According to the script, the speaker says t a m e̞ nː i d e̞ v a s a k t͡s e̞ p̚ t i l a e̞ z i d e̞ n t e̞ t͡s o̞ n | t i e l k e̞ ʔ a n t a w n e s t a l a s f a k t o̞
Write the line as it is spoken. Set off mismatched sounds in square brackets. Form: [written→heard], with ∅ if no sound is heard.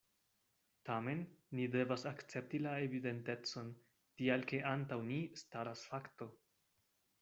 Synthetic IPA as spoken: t a m e̞ nː i d e̞ v a s a k t͡s e̞ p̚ t i l a e̞ [z→v] i d e̞ n t e̞ t͡s o̞ n | t i [e→a] l k e̞ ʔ a n t a w n [e→i] s t a [l→ɾ] a s f a k t o̞